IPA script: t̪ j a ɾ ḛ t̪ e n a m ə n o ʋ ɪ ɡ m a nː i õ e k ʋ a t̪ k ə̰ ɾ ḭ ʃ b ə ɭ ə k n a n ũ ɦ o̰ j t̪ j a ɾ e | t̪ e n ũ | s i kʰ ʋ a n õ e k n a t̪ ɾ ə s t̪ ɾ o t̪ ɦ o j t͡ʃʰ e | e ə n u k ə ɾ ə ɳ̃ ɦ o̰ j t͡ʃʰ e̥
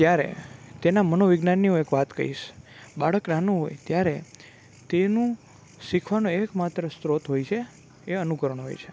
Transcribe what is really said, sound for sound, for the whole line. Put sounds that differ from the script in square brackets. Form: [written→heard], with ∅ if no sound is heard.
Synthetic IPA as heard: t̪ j a ɾ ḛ t̪ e n a m ə n o ʋ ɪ ɡ [m→n] a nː i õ e k ʋ a t̪ k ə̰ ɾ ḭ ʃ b [ə→a] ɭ ə k n a n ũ ɦ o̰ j t̪ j a ɾ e | t̪ e n ũ | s i kʰ ʋ a n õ e k [n→m] a t̪ ɾ ə s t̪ ɾ o t̪ ɦ o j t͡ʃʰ e | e ə n u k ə ɾ ə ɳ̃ ɦ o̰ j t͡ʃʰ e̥